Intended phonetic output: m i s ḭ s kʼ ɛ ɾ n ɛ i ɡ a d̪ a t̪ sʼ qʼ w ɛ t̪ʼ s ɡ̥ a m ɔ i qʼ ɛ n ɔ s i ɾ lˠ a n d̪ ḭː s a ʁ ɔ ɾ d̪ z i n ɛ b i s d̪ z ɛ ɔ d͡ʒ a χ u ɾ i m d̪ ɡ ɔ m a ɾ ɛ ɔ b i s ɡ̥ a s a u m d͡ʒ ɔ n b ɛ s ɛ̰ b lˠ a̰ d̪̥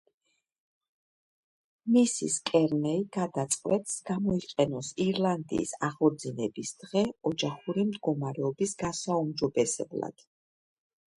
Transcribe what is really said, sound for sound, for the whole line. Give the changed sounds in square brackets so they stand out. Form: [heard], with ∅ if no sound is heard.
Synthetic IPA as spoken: m i s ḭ s kʼ ɛ ɾ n ɛ i ɡ a d̪ a t̪ sʼ qʼ w ɛ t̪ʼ s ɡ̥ a m ɔ i qʼ ɛ n ɔ s i ɾ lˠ a n d̪ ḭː s a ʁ ɔ ɾ d̪ z i n ɛ b i s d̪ [ʁ] ɛ ɔ d͡ʒ a χ u ɾ i m d̪ ɡ ɔ m a ɾ ɛ ɔ b i s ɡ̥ a s a u m d͡ʒ ɔ [∅] b ɛ s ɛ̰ b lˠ a̰ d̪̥